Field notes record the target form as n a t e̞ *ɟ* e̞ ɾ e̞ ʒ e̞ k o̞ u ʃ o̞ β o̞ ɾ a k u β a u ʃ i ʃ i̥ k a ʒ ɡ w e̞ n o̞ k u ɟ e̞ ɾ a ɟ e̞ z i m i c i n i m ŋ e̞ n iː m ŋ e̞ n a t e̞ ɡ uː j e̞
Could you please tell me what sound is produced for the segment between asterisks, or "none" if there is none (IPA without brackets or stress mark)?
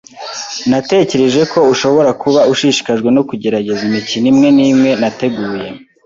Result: c